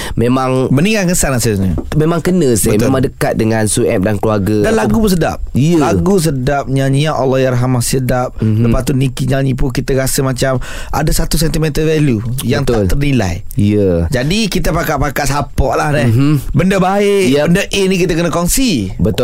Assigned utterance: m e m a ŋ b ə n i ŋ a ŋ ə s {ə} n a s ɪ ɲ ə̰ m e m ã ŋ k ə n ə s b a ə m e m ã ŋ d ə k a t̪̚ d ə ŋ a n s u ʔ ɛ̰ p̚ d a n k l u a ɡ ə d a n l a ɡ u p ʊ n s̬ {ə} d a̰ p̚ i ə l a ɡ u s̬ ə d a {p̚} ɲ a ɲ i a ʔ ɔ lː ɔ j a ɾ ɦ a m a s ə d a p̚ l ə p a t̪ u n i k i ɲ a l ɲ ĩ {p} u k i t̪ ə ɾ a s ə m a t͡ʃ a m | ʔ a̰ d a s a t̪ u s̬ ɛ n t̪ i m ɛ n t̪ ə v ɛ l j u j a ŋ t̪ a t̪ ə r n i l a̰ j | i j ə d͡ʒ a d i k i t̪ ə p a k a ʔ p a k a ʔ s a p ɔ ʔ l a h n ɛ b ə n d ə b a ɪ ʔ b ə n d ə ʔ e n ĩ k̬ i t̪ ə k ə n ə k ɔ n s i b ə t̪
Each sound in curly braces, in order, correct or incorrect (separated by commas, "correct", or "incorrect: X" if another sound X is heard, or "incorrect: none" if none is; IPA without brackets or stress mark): incorrect: a, correct, correct, correct